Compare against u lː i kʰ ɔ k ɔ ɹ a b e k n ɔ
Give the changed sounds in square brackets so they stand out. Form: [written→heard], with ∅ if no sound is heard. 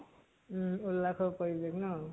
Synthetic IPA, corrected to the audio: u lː [i→a] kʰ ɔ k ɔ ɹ [a→i] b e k n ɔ